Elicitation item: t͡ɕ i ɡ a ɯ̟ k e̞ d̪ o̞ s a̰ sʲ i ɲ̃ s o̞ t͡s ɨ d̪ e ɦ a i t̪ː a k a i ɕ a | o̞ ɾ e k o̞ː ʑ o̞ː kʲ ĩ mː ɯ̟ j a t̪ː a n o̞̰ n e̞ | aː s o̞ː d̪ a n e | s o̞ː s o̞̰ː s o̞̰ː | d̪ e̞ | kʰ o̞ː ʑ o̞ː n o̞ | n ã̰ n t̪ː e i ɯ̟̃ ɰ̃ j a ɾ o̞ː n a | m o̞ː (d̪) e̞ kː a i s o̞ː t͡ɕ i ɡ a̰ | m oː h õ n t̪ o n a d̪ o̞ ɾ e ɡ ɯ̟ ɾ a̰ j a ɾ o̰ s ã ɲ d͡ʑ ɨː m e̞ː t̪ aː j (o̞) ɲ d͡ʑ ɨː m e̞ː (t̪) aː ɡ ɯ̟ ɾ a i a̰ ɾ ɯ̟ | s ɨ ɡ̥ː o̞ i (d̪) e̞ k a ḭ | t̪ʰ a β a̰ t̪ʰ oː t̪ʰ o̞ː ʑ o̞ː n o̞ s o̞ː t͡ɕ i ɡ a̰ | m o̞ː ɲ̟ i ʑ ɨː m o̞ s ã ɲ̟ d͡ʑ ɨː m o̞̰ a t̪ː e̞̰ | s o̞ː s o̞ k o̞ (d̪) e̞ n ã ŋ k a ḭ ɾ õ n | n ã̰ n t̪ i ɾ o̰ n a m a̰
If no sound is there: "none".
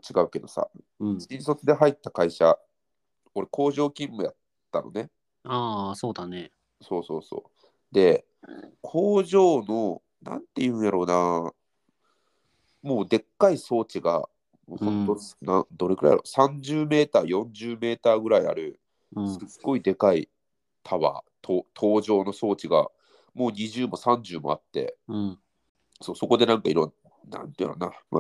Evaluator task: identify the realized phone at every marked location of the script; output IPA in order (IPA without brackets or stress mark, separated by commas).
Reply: d̪, õ̞, t̪, d̪, d̪